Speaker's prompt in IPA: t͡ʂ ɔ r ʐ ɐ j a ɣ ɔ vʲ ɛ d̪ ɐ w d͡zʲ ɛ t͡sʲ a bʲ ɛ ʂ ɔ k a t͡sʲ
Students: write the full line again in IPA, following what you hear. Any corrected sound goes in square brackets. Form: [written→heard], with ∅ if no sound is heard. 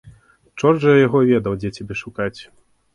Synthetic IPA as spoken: t͡ʂ ɔ r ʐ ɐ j a ɣ ɔ vʲ ɛ d̪ ɐ w d͡zʲ ɛ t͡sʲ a bʲ ɛ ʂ [ɔ→u] k a t͡sʲ